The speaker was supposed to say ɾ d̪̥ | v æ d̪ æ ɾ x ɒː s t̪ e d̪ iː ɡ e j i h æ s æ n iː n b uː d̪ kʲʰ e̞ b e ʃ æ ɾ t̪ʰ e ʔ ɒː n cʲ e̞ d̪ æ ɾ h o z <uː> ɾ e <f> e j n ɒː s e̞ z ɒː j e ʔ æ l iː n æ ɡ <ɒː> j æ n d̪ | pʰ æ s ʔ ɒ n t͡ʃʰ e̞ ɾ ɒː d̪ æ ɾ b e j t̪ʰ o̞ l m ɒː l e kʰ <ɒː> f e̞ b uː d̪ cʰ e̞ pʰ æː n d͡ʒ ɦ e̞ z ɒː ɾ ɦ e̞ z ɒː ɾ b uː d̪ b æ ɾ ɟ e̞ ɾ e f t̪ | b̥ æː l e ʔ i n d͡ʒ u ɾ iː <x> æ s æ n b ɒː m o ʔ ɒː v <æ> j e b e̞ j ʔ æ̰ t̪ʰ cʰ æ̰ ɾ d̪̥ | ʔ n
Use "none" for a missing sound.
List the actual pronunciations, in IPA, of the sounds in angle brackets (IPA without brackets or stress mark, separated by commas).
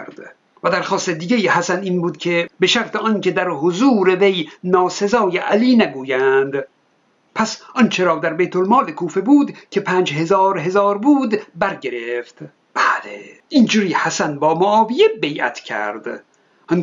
uː, v, uː, uː, h, i